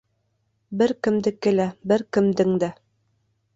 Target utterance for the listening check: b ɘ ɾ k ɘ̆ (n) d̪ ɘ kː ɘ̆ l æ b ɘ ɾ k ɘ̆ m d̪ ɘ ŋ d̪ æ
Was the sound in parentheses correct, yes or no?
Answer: no